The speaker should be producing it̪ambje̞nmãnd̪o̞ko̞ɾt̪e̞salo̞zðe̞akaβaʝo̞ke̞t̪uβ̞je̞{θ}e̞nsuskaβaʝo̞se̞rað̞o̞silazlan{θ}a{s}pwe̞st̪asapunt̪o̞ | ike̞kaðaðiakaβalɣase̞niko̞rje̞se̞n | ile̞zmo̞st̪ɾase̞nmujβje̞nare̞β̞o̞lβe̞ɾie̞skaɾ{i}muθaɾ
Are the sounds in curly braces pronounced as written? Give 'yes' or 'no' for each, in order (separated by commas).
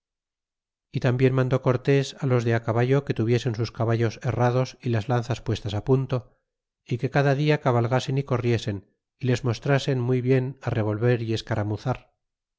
no, yes, yes, no